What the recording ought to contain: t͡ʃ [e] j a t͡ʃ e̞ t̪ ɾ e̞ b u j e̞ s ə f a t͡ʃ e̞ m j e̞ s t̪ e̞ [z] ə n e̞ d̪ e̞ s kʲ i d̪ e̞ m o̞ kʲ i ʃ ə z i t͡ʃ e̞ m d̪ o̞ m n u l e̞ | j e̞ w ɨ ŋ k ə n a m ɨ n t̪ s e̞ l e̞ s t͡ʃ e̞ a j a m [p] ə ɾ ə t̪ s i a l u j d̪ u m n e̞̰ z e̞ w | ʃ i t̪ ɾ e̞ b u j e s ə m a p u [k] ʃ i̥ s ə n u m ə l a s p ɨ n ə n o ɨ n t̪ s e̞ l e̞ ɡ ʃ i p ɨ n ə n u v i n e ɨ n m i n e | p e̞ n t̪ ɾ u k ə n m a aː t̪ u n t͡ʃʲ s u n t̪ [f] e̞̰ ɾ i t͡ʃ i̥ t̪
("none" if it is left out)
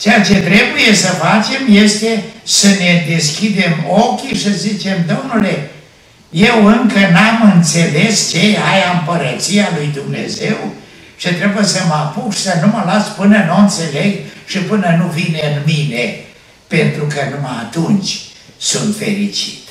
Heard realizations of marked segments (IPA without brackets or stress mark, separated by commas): e, s, p, k, f